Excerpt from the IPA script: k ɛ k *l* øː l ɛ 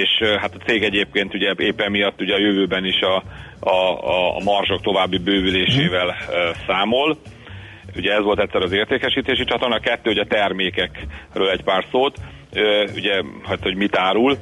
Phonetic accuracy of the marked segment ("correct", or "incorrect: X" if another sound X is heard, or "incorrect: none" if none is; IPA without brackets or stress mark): incorrect: r